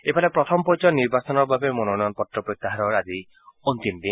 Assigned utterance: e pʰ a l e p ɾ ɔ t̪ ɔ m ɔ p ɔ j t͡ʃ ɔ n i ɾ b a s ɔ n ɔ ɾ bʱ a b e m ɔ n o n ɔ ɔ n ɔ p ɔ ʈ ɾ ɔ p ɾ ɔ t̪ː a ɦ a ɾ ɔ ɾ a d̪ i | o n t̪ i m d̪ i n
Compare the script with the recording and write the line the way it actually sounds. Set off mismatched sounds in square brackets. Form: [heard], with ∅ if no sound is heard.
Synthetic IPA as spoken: e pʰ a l e p ɾ ɔ [t̪ʰ] ɔ m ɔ p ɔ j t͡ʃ ɔ n i ɾ b a s ɔ n ɔ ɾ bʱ a b e m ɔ n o n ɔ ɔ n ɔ p ɔ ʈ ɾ ɔ p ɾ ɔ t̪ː a ɦ a ɾ ɔ ɾ a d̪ i | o n t̪ i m d̪ i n